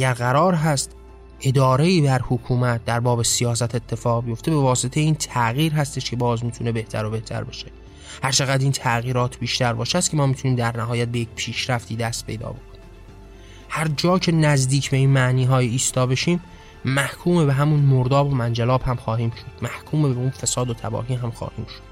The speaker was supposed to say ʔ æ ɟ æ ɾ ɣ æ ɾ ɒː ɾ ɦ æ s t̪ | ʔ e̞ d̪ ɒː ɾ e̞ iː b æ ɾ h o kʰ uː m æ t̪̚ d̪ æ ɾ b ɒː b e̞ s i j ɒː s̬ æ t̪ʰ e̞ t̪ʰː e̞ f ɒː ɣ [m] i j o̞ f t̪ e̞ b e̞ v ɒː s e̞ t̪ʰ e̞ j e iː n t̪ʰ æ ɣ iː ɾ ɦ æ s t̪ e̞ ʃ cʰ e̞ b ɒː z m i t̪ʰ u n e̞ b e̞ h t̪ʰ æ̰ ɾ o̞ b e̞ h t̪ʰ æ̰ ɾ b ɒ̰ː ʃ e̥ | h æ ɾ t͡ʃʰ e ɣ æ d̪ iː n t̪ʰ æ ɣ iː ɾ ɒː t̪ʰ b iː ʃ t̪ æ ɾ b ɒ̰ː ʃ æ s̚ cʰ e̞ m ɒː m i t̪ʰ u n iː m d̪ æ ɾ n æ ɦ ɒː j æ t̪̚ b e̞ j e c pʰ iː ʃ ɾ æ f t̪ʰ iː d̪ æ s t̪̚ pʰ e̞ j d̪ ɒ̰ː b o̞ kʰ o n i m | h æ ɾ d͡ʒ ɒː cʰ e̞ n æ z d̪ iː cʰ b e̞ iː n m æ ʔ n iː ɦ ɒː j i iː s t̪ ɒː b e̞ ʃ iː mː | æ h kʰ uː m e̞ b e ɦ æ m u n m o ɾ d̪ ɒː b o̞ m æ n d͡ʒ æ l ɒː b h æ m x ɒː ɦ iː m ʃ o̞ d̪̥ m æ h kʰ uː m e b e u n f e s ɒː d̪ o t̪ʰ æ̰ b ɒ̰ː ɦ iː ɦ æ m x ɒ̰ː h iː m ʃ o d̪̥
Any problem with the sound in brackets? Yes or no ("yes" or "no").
yes